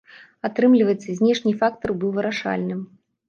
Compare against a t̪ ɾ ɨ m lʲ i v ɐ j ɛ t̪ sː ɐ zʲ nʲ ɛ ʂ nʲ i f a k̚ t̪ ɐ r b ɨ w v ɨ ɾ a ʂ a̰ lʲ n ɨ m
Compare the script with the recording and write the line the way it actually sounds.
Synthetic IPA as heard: a t̪ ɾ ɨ m lʲ i v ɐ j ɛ t̪ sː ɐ zʲ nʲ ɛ ʂ nʲ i f a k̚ t̪ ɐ r b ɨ w v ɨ ɾ a ʂ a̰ lʲ n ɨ m